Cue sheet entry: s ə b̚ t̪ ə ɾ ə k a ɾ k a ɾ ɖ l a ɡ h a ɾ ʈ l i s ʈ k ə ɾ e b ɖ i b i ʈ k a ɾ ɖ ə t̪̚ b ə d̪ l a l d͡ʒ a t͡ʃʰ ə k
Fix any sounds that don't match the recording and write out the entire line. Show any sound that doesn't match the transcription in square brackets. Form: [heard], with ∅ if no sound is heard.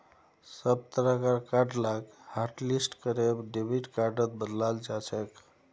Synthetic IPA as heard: s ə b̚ t̪ ə ɾ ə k a ɾ k a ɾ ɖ l a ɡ h a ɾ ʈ l i s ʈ k ə ɾ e b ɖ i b i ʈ k a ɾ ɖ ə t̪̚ b ə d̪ l a l d͡ʒ a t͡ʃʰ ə k